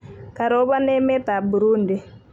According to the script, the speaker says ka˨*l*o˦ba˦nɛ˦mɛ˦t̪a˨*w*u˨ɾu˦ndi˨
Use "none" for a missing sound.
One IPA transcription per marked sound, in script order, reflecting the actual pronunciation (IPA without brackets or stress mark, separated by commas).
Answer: ɾ, b